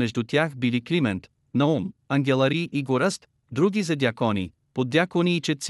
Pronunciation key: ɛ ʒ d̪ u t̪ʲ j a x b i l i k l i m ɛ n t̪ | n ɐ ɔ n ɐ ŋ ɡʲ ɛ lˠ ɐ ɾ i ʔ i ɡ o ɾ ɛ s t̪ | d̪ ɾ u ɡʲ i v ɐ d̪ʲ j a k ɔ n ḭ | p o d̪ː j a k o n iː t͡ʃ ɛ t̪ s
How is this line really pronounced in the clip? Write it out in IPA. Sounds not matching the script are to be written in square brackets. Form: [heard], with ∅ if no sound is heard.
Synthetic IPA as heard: ɛ ʒ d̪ u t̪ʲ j a x b i l i k l i m ɛ n t̪ | n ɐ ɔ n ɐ ŋ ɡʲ ɛ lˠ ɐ ɾ i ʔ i ɡ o ɾ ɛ s t̪ | d̪ ɾ u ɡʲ i [z] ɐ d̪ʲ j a k ɔ n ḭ | p o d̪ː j a k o n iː t͡ʃ ɛ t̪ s